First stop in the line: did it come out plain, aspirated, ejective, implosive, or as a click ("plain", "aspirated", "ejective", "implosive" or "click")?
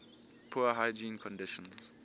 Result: aspirated